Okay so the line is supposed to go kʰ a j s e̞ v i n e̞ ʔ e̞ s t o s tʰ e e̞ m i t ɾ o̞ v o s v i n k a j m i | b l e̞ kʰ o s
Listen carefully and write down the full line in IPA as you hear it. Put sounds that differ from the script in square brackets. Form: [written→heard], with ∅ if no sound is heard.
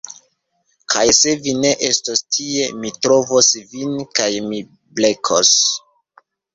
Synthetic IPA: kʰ a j s e̞ v i n e̞ ʔ e̞ s t o s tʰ [e→i] e̞ m i t ɾ o̞ v o s v i n k a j m i | b l e̞ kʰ o s